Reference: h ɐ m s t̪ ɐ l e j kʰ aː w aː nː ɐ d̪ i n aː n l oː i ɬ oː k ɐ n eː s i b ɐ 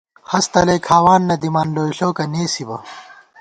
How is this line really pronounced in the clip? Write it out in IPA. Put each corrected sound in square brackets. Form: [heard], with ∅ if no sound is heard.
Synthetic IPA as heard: h ɐ [∅] s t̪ ɐ l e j kʰ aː w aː nː ɐ d̪ i [m] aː n l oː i ɬ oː k ɐ n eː s i b ɐ